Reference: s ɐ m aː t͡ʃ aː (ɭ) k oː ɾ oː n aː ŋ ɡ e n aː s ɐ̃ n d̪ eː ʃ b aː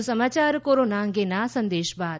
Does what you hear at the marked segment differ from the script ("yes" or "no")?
yes